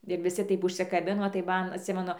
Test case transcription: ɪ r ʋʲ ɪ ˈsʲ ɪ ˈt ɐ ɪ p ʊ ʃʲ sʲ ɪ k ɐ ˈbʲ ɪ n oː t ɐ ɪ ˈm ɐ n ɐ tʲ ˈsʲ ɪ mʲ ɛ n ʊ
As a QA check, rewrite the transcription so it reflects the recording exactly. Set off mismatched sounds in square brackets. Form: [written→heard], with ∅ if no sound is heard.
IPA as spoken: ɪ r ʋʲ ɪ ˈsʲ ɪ ˈt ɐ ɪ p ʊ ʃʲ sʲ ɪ k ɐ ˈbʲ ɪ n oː t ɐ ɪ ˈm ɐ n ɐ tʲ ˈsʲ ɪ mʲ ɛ n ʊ